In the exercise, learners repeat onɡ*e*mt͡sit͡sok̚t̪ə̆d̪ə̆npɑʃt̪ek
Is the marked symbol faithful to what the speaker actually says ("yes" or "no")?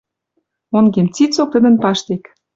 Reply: yes